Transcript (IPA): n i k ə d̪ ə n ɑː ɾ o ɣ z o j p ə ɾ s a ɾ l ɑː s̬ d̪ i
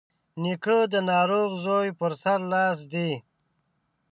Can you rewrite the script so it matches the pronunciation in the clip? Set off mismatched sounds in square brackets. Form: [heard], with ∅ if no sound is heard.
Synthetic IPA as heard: n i k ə d̪ ə n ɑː ɾ o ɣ z o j p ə ɾ s a ɾ l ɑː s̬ d̪ i